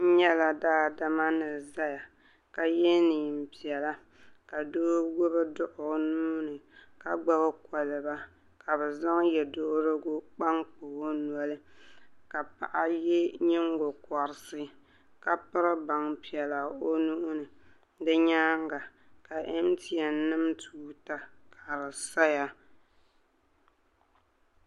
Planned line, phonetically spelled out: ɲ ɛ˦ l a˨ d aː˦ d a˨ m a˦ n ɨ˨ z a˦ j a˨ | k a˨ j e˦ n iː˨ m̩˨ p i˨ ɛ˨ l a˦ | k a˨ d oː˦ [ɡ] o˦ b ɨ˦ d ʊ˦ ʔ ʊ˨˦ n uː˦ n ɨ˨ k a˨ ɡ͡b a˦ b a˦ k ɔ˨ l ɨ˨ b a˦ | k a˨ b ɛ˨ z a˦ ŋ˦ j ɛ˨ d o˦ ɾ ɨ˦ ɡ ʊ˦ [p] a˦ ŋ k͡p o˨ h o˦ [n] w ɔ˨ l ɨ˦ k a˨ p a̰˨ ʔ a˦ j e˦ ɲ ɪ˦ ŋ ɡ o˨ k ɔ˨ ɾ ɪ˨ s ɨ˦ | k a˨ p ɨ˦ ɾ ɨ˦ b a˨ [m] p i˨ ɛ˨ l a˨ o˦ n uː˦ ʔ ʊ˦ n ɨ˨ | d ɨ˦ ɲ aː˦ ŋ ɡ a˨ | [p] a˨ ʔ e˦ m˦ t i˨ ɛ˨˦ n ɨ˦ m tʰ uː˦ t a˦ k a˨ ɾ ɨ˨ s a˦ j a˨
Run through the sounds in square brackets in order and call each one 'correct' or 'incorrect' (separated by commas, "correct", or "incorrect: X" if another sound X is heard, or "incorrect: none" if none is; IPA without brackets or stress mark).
correct, incorrect: k͡p, correct, incorrect: ŋ, incorrect: k